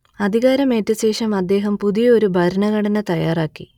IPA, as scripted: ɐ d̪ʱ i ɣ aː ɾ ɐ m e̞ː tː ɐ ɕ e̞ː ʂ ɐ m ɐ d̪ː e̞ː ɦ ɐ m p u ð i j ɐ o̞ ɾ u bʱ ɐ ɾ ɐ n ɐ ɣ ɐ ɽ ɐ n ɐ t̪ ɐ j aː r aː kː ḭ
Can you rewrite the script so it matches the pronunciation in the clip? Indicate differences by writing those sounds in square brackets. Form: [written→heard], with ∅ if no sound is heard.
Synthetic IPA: ɐ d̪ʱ i ɣ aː ɾ ɐ m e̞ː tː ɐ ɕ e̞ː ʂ ɐ m ɐ d̪ː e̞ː ɦ ɐ m p u ð i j ɐ o̞ ɾ u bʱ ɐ ɾ ɐ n ɐ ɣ ɐ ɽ ɐ n ɐ t̪ ɐ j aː r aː kː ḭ